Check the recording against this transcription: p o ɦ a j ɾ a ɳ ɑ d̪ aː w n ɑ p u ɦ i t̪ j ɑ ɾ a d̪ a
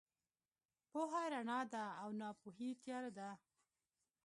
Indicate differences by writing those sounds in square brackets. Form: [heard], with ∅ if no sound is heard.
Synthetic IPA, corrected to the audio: p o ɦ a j ɾ a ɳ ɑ d̪ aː w n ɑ p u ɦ i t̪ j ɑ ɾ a d̪ a